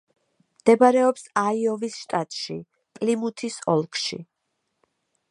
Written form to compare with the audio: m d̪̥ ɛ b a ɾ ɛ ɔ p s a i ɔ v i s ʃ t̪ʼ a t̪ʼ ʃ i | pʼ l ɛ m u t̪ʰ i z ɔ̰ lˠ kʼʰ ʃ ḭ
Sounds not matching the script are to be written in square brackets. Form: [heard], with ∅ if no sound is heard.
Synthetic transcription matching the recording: m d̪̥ ɛ b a ɾ ɛ ɔ p s a i ɔ v i s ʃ t̪ʼ a t̪ʼ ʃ i | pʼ l [i] m u t̪ʰ i [s] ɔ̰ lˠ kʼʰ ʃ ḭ